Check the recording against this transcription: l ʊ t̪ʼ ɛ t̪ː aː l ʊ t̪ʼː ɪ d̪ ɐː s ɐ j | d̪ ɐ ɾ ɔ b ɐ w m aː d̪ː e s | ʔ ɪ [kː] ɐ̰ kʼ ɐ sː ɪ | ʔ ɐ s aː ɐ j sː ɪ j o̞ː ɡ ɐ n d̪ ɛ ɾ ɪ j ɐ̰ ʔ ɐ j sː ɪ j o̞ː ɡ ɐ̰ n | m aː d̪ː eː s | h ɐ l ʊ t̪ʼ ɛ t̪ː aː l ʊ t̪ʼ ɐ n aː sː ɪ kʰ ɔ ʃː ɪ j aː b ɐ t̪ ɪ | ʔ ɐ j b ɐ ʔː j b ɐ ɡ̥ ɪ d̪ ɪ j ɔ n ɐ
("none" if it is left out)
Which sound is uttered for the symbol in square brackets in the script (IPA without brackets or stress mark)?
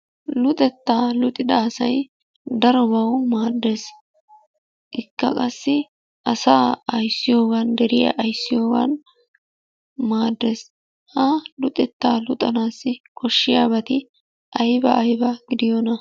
kː